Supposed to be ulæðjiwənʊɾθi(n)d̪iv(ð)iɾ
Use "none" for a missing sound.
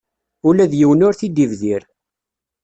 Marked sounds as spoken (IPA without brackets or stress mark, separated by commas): none, ð